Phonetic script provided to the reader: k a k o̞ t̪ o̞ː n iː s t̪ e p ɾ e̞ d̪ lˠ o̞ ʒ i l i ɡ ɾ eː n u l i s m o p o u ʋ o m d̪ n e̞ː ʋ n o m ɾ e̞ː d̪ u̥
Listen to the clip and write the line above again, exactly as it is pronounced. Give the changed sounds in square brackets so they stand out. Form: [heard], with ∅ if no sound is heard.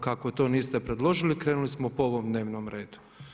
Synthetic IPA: k a k o̞ t̪ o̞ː n iː s t̪ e p ɾ e̞ d̪ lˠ o̞ ʒ i l i [k] ɾ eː n u l i s m o p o [o] ʋ o m d̪ n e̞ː ʋ n o m ɾ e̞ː d̪ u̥